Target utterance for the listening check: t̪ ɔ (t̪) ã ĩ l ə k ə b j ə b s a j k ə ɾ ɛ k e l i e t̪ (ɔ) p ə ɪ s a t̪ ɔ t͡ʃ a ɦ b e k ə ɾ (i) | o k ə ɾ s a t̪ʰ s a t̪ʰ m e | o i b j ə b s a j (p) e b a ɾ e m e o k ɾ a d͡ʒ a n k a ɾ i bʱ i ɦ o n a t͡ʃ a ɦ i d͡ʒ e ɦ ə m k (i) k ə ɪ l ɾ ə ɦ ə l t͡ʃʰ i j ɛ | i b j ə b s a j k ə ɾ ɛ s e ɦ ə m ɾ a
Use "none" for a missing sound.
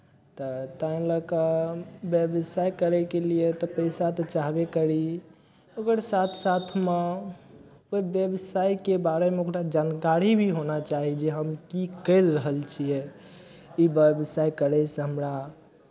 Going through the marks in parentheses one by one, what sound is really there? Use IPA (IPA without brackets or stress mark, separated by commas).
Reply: t̪, ɔ, i, k, i